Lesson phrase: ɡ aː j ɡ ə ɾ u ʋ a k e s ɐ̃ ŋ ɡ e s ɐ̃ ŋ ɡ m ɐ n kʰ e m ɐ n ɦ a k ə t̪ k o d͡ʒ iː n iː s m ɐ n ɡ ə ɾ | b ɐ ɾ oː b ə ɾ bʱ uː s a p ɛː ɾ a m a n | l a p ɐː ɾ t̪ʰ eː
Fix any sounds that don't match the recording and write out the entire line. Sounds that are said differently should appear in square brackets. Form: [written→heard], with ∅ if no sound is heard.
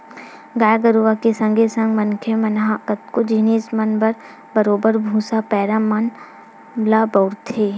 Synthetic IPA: ɡ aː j ɡ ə ɾ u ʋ a k e s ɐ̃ ŋ ɡ e s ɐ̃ ŋ ɡ m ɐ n kʰ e m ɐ n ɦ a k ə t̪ k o d͡ʒ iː n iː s m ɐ n [ɡ→b] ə ɾ | b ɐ ɾ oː b ə ɾ bʱ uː s a p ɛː ɾ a m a n | l a [p→b] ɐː ɾ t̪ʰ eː